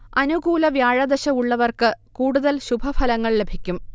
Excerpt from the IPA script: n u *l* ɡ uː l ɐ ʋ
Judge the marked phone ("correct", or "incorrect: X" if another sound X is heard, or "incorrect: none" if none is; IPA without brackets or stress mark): incorrect: none